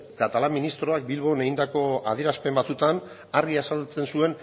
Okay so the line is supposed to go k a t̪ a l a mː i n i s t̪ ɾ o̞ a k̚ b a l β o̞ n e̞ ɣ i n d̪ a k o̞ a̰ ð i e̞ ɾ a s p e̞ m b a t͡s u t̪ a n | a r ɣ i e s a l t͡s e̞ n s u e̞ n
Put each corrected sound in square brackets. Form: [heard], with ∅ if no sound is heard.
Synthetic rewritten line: k a t̪ a l a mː i n i s t̪ ɾ o̞ a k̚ b [i] l β o̞ n e̞ ɣ i n d̪ a k o̞ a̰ ð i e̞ ɾ a s p e̞ m b a t͡s u t̪ a n | a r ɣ i [a] s a l t͡s e̞ n s u e̞ n